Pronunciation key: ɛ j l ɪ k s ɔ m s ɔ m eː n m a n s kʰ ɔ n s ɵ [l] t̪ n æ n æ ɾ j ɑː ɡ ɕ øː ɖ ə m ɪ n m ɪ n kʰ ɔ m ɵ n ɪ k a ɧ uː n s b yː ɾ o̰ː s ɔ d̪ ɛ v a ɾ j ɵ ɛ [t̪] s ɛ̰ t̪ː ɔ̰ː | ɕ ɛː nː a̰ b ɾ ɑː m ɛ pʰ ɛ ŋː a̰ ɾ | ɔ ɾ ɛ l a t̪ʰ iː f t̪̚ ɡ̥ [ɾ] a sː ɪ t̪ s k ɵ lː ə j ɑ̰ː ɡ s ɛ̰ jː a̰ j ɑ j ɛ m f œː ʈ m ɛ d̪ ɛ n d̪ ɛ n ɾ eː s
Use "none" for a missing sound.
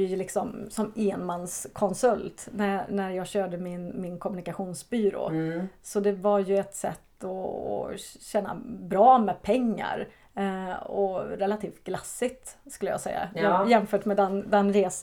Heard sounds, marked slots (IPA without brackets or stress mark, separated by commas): l, t̪, l